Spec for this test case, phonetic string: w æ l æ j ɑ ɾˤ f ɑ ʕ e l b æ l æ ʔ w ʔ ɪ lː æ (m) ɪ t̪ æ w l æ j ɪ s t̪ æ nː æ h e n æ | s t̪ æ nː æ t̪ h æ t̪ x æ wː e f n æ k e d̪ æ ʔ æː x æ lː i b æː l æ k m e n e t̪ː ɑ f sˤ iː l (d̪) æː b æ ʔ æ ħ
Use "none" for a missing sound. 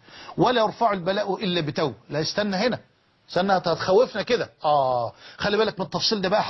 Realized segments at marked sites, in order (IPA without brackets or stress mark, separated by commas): b, d̪